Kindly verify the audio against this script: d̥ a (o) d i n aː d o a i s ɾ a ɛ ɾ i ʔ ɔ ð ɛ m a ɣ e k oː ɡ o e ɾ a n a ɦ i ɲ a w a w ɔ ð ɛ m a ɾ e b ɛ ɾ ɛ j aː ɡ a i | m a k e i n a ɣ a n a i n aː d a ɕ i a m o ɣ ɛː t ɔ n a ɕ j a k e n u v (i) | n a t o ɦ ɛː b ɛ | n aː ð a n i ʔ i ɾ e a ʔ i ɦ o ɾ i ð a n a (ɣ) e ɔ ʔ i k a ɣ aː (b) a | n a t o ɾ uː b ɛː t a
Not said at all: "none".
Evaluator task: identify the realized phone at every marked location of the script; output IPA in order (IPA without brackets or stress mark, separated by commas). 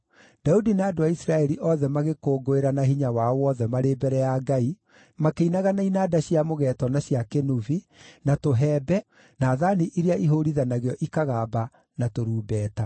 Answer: u, i, ɣ, b